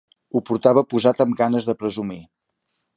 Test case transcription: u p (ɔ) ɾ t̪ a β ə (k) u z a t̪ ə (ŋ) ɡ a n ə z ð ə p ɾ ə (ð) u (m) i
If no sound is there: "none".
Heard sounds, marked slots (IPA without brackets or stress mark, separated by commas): u, p, m, z, m